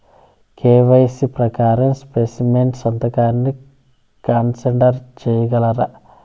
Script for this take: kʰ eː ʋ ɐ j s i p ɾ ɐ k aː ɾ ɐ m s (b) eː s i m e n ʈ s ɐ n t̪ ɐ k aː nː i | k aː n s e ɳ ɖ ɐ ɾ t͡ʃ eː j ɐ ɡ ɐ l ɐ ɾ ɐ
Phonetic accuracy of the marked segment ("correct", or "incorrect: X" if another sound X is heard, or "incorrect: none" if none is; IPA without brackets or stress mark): incorrect: p